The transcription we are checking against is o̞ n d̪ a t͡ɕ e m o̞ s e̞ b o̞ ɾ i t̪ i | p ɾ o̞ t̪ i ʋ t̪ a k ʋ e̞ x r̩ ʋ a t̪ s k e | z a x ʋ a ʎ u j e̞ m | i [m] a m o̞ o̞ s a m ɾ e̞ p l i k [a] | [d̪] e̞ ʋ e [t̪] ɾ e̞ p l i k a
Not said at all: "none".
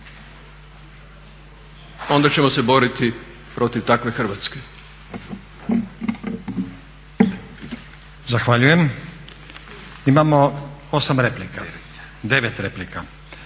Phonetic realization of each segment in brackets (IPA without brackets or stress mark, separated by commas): m, a, d̪, t̪